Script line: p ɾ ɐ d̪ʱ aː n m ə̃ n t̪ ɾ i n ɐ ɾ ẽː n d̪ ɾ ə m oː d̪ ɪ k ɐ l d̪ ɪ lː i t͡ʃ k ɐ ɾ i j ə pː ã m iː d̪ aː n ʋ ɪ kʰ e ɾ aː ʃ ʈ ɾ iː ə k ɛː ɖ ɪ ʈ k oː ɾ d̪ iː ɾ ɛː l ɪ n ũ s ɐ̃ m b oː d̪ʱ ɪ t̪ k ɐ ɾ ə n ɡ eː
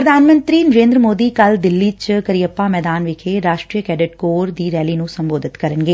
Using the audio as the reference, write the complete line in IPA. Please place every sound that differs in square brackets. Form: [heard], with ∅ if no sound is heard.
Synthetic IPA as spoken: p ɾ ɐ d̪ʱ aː n m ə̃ n t̪ ɾ i n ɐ ɾ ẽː n d̪ ɾ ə m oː d̪ [i] k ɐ l d̪ ɪ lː i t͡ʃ k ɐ ɾ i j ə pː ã m [ɛː] d̪ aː n ʋ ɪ kʰ e ɾ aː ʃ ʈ ɾ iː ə k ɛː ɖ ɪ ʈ k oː ɾ d̪ iː ɾ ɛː l [i] n ũ s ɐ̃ m b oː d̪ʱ ɪ t̪ k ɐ ɾ ə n ɡ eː